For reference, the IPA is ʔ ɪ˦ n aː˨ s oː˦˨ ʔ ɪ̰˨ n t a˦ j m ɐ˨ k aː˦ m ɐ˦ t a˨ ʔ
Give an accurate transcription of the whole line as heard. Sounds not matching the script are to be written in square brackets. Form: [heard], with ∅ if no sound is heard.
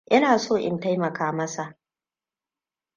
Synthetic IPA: ʔ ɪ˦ n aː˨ s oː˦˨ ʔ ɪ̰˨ n t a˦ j m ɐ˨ k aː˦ m ɐ˦ [s] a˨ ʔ